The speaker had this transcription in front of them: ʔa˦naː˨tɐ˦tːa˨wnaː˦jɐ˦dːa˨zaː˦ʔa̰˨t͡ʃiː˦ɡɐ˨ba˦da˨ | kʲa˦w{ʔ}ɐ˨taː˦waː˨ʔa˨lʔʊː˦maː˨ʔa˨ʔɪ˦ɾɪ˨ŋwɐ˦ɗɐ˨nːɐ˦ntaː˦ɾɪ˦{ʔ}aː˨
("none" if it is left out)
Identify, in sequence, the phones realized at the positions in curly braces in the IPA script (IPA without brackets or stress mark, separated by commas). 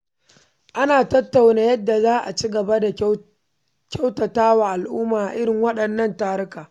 t, k